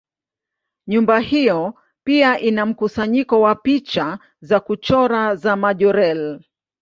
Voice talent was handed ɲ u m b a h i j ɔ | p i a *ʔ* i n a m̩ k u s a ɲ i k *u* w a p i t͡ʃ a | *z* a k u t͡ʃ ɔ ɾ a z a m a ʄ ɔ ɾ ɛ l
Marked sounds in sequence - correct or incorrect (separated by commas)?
correct, incorrect, correct